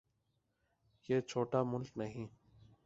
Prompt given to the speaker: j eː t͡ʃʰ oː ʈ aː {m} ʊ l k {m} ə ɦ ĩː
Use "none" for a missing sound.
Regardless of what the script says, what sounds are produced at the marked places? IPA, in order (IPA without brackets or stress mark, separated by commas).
m, n